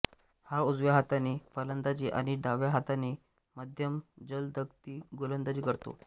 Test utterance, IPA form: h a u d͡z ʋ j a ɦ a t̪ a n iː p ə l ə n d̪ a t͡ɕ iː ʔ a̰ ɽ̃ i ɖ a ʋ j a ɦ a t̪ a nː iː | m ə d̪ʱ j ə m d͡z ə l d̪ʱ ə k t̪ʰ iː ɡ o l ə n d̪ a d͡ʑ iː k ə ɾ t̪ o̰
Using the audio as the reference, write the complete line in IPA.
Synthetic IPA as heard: h a u d͡z ʋ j a ɦ a t̪ a n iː p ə l ə n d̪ a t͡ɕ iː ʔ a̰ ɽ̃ i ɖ a ʋ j a ɦ a t̪ a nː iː | m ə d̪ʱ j ə m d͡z ə l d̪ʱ ə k t̪ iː ɡ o l ə n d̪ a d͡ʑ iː k ə ɾ t̪ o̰